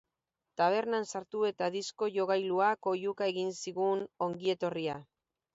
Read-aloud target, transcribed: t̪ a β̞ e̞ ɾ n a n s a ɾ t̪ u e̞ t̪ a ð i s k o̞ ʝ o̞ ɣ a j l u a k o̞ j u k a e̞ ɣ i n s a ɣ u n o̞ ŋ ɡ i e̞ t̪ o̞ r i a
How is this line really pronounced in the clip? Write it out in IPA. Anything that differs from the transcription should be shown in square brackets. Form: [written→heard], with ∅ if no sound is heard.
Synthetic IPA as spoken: t̪ a β̞ e̞ ɾ n a n s a ɾ t̪ u e̞ t̪ a ð i s k o̞ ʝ o̞ ɣ a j l u a k o̞ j u k a e̞ ɣ i n s [a→i] ɣ u n o̞ ŋ ɡ i e̞ t̪ o̞ r i a